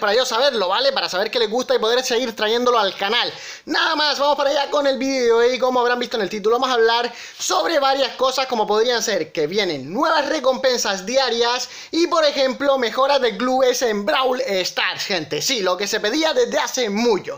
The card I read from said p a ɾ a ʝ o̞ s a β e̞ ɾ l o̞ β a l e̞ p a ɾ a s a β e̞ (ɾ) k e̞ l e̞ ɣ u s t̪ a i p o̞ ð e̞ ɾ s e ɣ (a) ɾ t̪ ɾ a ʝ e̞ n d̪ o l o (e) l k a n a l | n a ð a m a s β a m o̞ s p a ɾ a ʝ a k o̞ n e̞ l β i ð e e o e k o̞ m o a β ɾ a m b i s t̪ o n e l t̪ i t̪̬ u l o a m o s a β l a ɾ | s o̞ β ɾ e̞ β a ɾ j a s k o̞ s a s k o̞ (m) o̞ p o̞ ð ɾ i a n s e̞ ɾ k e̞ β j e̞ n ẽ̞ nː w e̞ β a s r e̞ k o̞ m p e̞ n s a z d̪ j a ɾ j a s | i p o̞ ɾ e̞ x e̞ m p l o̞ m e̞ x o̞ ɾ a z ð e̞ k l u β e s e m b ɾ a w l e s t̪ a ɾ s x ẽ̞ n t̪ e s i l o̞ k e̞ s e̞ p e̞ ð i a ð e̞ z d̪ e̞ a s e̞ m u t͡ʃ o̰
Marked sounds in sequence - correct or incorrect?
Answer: correct, incorrect, incorrect, correct

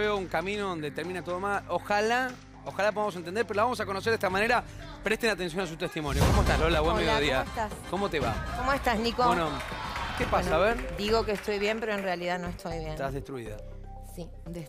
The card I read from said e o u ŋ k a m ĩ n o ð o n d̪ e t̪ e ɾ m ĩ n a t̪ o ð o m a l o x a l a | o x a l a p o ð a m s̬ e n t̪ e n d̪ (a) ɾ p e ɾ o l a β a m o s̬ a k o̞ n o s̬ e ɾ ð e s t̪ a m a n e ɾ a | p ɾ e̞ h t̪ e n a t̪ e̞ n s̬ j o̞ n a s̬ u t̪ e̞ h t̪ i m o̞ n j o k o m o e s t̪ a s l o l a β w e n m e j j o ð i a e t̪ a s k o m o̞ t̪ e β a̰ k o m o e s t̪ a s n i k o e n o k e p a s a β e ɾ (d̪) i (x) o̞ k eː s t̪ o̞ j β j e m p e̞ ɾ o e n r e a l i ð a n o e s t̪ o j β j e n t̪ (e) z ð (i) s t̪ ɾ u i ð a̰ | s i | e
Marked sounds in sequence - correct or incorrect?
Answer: incorrect, correct, incorrect, incorrect, incorrect

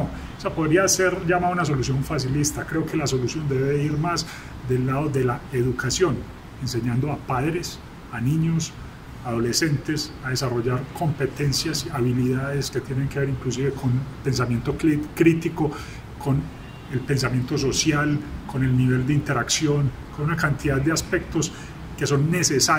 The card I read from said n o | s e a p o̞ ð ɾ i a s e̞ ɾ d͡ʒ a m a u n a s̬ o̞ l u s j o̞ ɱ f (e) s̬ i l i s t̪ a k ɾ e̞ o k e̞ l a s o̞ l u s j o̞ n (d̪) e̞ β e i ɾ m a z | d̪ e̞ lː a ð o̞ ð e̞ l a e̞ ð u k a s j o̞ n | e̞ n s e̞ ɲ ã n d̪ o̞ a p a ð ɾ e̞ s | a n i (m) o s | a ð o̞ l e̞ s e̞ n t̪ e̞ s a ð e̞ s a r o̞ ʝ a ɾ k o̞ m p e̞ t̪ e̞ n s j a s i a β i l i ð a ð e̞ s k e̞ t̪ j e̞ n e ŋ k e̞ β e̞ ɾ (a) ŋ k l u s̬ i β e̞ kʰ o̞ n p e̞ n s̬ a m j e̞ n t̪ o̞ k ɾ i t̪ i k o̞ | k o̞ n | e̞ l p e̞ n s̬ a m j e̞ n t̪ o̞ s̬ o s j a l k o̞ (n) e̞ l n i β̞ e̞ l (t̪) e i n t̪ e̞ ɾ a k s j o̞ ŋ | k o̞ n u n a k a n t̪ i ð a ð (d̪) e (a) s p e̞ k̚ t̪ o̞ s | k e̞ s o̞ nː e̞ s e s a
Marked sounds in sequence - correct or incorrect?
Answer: incorrect, correct, incorrect, incorrect, correct, incorrect, correct, correct

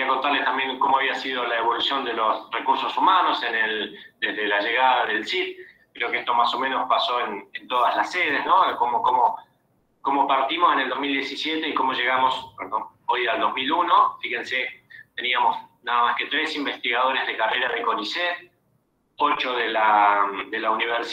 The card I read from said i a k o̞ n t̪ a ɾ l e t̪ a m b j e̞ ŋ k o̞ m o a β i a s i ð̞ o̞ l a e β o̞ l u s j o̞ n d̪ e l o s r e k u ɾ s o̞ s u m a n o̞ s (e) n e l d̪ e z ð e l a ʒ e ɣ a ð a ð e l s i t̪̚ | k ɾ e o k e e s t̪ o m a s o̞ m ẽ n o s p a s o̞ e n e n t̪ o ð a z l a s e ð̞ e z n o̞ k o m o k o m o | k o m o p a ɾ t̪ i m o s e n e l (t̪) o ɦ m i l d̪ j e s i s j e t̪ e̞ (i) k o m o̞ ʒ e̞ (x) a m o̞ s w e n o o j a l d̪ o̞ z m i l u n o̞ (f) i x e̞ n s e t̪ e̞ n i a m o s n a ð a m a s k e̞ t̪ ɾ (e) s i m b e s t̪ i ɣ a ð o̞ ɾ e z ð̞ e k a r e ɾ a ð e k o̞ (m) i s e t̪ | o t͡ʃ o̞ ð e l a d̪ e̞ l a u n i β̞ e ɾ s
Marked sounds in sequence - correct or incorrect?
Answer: correct, incorrect, correct, incorrect, correct, correct, incorrect

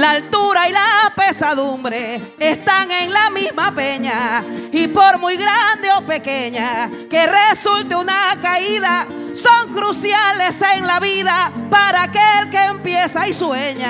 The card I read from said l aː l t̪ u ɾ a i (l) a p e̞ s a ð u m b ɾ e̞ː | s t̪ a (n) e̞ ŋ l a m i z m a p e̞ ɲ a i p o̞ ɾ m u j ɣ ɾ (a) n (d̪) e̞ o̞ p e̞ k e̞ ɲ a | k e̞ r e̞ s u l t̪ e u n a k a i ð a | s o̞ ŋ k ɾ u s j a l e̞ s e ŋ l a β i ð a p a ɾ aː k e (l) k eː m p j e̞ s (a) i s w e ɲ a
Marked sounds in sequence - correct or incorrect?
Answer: correct, incorrect, correct, correct, correct, correct

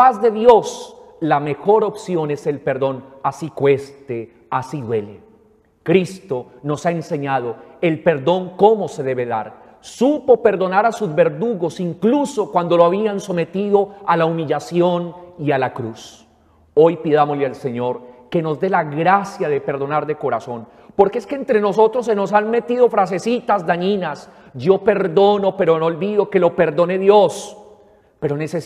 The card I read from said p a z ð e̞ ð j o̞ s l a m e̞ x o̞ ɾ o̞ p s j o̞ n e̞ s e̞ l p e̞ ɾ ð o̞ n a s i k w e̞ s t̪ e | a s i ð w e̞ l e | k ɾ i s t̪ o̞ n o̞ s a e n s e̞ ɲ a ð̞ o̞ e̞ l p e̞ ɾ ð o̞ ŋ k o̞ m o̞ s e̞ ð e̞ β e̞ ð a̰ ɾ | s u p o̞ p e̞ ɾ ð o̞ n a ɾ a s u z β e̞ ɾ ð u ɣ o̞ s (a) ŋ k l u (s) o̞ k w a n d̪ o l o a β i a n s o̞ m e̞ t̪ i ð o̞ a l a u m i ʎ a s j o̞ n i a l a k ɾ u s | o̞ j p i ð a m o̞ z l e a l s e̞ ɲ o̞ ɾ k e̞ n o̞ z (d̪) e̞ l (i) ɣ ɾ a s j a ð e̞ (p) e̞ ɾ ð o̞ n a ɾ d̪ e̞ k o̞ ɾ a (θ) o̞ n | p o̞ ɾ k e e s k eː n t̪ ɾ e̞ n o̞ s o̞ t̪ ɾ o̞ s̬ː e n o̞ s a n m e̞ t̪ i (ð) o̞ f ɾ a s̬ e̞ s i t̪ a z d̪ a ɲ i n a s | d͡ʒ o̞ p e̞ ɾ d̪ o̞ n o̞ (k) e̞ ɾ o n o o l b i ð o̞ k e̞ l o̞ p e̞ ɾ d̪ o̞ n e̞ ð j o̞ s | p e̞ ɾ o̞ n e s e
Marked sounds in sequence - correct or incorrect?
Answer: incorrect, correct, correct, incorrect, correct, incorrect, correct, incorrect

